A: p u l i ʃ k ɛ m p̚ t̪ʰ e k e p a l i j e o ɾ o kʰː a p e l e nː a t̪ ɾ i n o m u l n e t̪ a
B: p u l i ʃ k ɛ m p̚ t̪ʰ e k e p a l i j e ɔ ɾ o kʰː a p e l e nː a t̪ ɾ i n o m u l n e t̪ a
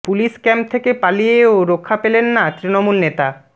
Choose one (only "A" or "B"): A